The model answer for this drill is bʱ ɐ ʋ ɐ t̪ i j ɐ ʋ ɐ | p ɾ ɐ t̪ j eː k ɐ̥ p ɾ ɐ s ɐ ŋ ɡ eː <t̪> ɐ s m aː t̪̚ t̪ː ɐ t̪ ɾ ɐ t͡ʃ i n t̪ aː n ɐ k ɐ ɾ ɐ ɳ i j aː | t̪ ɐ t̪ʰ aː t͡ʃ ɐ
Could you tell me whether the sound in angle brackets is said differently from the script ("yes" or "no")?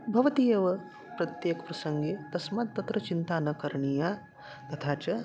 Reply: no